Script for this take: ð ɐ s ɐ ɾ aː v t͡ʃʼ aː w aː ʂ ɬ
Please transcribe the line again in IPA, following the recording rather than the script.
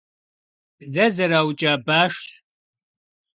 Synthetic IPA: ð ɐ z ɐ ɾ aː w t͡ʃʼ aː b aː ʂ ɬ